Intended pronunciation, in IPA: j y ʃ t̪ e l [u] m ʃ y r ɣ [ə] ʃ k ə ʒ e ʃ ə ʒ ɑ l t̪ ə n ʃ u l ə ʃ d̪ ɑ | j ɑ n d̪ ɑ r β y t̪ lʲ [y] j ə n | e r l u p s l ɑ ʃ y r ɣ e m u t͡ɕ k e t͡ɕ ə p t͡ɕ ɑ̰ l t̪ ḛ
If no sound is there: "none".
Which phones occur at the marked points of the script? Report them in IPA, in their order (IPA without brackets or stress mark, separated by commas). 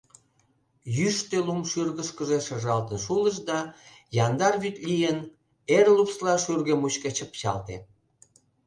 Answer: u, ə, i